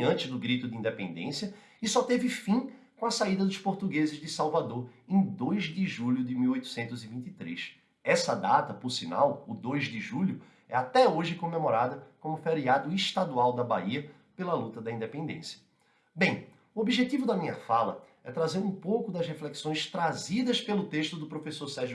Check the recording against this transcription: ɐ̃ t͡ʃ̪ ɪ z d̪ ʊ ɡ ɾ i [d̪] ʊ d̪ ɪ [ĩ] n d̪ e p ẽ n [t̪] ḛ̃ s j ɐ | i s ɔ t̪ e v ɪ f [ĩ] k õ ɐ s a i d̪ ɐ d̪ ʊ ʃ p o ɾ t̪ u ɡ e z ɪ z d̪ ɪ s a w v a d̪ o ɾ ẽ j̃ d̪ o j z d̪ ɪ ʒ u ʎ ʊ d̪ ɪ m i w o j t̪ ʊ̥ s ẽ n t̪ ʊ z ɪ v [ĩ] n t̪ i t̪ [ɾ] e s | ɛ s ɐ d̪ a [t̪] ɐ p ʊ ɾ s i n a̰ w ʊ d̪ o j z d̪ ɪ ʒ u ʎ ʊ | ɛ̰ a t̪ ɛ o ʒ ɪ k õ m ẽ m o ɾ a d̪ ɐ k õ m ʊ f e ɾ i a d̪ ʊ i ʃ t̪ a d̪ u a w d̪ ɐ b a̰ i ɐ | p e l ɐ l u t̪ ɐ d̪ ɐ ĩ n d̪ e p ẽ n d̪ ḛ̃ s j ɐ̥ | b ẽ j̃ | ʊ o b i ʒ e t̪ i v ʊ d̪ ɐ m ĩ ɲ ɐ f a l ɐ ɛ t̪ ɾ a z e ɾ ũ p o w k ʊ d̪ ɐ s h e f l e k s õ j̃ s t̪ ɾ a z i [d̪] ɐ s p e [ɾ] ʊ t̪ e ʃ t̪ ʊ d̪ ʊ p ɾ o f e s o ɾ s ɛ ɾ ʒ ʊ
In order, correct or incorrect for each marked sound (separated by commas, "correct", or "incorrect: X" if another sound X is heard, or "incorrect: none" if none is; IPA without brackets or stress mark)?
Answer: incorrect: t̪, correct, incorrect: d̪, correct, correct, correct, correct, correct, incorrect: l